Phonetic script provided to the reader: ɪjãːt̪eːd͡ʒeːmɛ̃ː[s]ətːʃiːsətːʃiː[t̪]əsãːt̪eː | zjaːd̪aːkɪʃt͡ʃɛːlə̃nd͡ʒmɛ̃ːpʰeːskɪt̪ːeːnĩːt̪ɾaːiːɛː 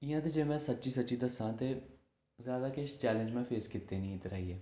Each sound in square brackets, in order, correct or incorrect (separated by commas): correct, incorrect